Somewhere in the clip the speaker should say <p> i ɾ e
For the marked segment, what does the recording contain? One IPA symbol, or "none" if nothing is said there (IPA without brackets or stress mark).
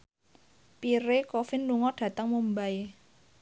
p